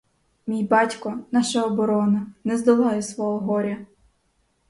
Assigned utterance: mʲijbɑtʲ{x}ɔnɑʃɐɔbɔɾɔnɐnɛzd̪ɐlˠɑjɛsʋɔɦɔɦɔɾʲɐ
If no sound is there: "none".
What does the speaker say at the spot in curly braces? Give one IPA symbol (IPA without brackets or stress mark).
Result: k